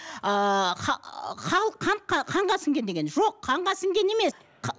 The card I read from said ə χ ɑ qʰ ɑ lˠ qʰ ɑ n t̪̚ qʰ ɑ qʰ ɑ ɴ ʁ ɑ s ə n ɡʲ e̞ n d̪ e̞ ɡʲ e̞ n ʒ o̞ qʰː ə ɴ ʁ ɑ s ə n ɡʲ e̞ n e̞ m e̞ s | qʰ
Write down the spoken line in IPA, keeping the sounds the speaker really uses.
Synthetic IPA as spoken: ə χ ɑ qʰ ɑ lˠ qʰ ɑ n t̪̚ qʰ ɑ qʰ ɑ ɴ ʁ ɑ s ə ŋ ɡʲ e̞ n d̪ e̞ ɡʲ e̞ n ʒ o̞ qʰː ɑ ɴ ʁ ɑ s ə ŋ ɡʲ e̞ n e̞ m e̞ s | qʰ